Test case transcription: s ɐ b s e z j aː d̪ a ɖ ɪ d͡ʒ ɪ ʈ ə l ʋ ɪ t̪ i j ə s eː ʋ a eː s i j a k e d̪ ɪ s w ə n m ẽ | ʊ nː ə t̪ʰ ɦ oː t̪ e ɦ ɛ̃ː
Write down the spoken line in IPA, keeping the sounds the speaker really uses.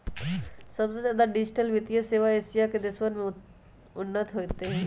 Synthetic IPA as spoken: s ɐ b s e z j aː d̪ a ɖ ɪ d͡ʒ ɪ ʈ ə l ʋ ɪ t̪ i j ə s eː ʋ a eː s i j a k e d̪ ɪ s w ə n m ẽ | ʊ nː ə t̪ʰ ɦ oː t̪ e ɦ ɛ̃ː

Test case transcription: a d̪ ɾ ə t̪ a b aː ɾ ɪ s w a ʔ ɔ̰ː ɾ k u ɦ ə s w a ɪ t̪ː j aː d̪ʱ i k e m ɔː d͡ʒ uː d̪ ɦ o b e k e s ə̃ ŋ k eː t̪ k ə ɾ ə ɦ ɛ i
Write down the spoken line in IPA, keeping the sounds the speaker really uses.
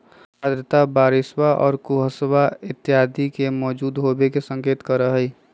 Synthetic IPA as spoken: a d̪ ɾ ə t̪ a b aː ɾ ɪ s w a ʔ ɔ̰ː ɾ k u ɦ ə s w a ɪ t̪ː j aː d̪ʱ i k e m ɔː d͡ʒ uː d̪ ɦ o b e k e s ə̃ ŋ k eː t̪ k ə ɾ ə ɦ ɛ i

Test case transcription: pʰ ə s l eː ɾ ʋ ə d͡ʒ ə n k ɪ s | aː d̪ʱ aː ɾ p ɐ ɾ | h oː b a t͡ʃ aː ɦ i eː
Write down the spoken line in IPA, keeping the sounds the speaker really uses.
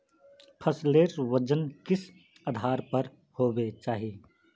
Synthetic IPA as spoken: pʰ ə s l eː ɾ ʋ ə d͡ʒ ə n k ɪ s | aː d̪ʱ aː ɾ p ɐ ɾ | h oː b e t͡ʃ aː ɦ i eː

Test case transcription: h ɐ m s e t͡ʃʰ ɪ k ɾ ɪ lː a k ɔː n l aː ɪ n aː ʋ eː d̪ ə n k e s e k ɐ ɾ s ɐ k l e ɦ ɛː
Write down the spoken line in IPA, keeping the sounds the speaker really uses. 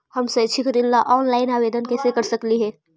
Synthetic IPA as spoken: h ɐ m s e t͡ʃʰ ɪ k ɾ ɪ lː a ʔ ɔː n l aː ɪ n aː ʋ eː d̪ ə n k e s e k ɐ ɾ s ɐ k l i ɦ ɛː

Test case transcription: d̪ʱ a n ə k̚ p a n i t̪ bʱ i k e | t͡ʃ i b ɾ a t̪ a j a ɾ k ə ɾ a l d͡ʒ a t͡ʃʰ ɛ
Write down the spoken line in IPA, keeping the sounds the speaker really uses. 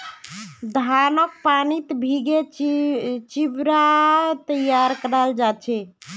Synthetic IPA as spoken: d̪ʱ a n ə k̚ p a n i t̪ bʱ i ɡ e | t͡ʃ i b ɾ a t̪ ə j a ɾ k ə ɾ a l d͡ʒ a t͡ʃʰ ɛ

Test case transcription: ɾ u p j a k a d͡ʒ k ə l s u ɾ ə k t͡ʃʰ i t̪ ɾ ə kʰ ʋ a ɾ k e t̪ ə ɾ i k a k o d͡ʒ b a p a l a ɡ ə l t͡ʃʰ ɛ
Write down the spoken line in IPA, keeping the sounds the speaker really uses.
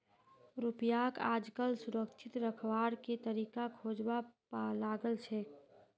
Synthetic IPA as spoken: ɾ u p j a k a d͡ʒ k ə l s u ɾ ə k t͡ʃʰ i t̪ ɾ ə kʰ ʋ a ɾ k e t̪ ə ɾ i k a kʰ o d͡ʒ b a p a l a ɡ ə l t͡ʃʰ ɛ

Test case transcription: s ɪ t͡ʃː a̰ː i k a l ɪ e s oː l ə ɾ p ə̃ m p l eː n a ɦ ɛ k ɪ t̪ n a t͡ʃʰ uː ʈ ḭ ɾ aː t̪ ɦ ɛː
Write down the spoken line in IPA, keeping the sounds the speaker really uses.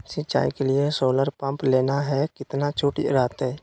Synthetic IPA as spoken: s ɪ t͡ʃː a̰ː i k e l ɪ e s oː l ə ɾ p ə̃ m p l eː n a ɦ ɛ k ɪ t̪ n a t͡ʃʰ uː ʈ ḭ ɾ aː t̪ ɦ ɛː

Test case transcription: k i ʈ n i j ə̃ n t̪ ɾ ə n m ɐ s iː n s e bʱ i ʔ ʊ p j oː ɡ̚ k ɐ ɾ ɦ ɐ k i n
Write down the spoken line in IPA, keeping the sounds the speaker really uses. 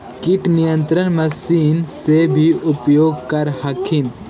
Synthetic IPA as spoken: k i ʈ n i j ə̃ n t̪ ɾ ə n m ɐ s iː n s e bʱ i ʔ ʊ p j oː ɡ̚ k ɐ ɾ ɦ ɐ kʰ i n

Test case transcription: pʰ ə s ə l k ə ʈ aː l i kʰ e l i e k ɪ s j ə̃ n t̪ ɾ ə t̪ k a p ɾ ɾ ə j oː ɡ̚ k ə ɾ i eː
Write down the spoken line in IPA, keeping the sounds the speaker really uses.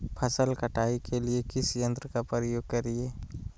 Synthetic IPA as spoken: pʰ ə s ə l k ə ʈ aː i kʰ e l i e k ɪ s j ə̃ n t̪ ɾ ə k a p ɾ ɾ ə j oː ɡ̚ k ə ɾ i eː

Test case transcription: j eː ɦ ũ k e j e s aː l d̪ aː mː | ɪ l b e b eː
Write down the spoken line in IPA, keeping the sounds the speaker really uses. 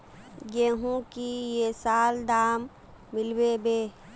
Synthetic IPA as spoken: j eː ɦ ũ k i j e s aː l d̪ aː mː | ɪ l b e b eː

